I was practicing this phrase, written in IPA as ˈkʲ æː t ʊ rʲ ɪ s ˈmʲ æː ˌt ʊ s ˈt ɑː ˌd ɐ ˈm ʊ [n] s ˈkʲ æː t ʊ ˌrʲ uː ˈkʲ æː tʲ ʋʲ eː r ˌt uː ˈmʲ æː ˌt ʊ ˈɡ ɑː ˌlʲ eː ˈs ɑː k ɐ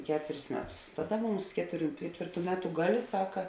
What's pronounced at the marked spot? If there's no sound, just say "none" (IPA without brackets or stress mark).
m